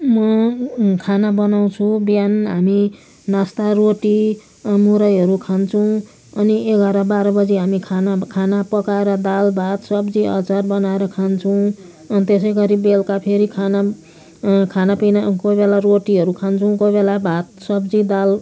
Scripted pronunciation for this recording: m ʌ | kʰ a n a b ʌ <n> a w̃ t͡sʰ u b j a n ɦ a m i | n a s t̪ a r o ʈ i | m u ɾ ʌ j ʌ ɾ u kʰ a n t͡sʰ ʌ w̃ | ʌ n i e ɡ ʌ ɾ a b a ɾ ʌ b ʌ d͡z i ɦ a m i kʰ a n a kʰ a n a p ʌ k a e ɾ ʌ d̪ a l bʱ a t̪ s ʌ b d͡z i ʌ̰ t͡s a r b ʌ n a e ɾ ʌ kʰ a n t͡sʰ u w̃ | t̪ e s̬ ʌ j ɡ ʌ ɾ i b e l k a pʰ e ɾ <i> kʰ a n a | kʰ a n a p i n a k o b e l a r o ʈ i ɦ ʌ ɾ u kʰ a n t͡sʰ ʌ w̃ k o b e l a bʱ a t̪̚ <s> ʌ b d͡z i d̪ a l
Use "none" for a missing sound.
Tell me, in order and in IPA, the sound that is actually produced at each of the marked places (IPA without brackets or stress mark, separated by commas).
n, i, s